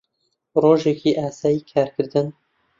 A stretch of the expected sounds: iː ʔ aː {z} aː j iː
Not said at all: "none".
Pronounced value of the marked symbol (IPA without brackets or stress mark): s